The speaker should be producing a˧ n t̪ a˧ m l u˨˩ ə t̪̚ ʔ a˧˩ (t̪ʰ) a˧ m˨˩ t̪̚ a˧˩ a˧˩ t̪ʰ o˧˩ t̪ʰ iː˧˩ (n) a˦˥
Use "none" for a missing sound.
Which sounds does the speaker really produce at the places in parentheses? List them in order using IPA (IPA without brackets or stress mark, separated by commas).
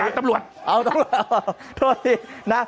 t̪, n